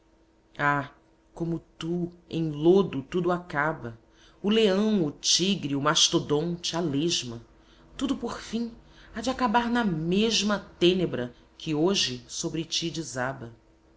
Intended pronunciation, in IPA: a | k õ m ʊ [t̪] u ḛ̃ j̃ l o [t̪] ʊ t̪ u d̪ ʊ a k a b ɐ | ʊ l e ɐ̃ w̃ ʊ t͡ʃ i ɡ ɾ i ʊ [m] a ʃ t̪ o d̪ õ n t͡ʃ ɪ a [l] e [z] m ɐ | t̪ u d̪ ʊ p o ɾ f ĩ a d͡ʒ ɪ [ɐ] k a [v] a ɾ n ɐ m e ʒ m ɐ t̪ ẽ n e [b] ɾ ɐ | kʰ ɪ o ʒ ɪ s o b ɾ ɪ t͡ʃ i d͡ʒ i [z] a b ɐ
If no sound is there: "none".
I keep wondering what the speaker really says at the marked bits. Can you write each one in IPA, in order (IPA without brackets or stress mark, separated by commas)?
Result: t̪, d̪, m, l, ʒ, a, b, b, z